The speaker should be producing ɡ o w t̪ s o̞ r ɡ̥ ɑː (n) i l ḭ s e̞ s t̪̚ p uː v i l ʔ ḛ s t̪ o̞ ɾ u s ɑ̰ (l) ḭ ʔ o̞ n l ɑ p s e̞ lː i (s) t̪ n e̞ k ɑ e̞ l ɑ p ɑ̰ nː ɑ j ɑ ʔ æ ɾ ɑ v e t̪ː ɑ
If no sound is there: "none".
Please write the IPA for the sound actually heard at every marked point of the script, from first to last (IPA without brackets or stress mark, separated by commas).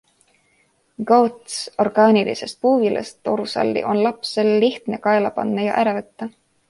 n, lː, h